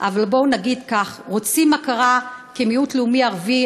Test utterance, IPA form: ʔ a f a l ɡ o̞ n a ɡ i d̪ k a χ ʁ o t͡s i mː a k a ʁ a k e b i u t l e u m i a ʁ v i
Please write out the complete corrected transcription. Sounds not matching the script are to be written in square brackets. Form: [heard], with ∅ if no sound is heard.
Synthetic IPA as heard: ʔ a [v] a l [b] o̞ n a ɡ i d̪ k a χ ʁ o t͡s i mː a k a ʁ a k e [m] i u t l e u m i a ʁ v i